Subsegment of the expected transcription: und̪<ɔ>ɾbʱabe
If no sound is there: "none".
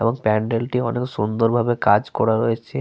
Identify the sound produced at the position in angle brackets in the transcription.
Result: o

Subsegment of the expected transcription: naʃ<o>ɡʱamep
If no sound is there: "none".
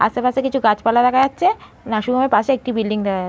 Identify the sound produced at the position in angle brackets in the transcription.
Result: u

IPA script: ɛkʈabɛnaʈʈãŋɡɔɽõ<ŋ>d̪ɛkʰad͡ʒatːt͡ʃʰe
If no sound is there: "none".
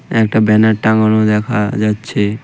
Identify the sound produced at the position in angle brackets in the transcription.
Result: none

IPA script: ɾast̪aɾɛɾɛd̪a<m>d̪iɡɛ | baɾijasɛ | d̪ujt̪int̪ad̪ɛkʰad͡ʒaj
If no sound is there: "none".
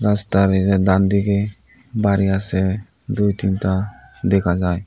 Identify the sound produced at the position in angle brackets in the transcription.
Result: n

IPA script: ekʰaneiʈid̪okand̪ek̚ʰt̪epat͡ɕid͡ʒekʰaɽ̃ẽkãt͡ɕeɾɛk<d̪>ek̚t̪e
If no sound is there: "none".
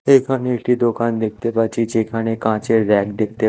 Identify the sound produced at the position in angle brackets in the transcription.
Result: d̪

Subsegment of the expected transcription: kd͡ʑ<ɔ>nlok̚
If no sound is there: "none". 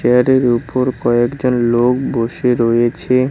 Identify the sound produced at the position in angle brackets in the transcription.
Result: o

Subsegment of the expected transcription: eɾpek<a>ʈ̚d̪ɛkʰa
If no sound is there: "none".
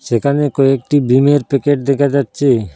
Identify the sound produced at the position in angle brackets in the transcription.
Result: e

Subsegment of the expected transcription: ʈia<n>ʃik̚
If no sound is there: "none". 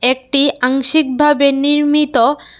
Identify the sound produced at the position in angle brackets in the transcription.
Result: ŋ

